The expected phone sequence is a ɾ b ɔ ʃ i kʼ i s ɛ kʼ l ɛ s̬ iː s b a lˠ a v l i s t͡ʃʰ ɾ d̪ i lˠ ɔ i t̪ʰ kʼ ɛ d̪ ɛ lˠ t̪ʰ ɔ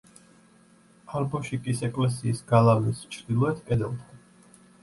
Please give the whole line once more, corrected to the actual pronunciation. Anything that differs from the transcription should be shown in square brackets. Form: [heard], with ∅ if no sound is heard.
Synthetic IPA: a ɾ b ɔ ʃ i kʼ i s ɛ kʼ l ɛ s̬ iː s [ɡ] a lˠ a v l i s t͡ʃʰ ɾ d̪ i lˠ ɔ [ɛ] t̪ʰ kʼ ɛ d̪ ɛ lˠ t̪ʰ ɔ